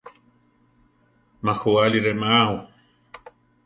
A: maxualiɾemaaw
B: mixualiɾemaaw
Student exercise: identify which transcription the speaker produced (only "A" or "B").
A